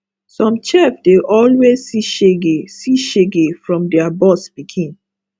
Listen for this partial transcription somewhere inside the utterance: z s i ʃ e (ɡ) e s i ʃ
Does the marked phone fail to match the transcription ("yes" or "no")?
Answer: no